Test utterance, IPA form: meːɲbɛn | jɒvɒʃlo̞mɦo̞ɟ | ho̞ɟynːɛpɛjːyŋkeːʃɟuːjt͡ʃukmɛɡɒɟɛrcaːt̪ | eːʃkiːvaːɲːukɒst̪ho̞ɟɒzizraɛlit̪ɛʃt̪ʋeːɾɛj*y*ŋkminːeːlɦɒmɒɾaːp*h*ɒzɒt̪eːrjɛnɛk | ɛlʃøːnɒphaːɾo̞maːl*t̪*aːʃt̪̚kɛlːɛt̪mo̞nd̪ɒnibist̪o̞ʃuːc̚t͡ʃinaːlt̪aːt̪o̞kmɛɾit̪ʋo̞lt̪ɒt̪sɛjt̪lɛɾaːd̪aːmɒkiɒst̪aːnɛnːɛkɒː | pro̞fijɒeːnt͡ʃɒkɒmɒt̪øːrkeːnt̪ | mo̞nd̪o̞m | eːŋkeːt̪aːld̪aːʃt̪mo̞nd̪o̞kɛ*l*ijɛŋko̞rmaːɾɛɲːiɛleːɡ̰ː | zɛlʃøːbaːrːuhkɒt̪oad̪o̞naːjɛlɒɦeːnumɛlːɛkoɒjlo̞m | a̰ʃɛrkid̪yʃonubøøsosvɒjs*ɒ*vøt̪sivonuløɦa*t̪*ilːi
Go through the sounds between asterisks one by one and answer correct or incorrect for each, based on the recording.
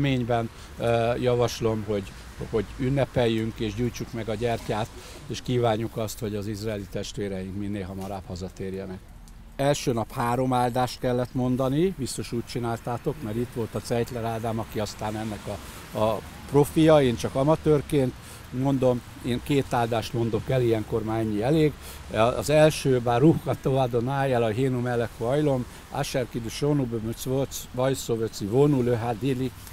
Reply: incorrect, correct, incorrect, correct, incorrect, incorrect

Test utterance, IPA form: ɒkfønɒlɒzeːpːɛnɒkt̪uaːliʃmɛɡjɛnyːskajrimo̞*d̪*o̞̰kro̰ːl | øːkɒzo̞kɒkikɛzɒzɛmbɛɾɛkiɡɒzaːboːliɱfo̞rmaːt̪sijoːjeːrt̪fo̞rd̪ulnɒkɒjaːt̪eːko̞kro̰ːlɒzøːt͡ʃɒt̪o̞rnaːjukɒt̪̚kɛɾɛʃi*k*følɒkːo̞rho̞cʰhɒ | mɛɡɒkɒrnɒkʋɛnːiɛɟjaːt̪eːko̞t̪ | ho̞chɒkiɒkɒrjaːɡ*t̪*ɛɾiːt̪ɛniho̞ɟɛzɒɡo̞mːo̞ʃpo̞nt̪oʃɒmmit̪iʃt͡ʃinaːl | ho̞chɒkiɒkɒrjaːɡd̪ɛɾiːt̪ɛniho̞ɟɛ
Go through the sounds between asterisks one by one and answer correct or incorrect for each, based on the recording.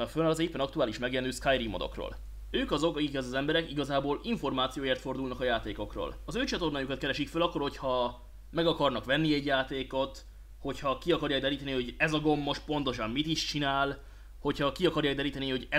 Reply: correct, correct, incorrect

